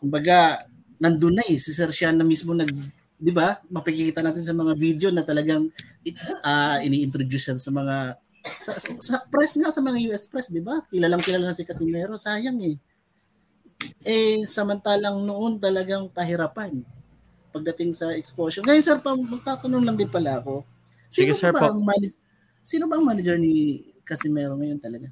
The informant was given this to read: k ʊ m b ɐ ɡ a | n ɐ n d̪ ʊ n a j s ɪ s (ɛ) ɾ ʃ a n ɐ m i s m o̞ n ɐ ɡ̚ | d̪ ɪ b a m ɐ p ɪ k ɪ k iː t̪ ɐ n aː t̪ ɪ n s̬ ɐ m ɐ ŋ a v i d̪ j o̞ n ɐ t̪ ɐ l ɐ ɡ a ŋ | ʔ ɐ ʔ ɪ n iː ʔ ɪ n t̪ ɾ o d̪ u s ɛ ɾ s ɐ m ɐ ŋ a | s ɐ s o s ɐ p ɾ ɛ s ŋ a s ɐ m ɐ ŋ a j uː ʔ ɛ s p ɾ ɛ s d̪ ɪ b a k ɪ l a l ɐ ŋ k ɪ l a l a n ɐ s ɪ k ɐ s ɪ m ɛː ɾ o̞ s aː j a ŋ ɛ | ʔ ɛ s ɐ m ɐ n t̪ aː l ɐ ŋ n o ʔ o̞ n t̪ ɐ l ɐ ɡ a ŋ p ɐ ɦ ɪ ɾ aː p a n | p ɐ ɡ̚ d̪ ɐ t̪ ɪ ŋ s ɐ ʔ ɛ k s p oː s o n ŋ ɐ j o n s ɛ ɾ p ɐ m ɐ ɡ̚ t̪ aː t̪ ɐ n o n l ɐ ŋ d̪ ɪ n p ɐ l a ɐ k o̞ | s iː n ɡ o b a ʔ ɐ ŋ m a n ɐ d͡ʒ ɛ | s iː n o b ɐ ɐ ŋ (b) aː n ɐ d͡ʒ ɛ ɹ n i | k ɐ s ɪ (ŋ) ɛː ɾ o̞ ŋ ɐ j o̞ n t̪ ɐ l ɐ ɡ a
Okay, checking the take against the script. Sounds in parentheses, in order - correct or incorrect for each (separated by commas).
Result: correct, incorrect, incorrect